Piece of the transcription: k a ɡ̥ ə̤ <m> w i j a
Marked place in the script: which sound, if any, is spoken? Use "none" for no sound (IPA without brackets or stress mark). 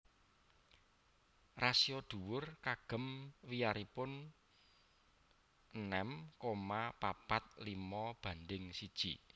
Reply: m